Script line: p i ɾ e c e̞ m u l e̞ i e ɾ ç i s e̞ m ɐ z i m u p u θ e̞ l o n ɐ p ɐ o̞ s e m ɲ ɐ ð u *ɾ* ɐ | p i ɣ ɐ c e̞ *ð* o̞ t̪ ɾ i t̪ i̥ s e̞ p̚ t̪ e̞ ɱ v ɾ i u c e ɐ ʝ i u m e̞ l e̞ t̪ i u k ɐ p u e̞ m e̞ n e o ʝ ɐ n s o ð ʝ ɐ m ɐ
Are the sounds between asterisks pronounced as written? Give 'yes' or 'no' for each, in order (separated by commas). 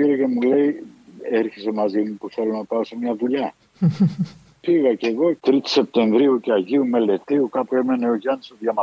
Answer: no, no